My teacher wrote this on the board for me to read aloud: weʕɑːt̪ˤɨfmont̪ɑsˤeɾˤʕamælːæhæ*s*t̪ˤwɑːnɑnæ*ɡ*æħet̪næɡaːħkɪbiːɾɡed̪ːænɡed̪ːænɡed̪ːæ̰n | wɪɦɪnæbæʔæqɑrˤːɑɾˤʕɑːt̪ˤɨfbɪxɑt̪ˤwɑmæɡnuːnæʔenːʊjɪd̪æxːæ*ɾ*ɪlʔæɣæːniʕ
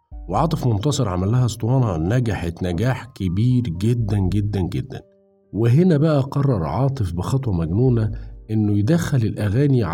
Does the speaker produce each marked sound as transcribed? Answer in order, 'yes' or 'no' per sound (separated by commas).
yes, yes, no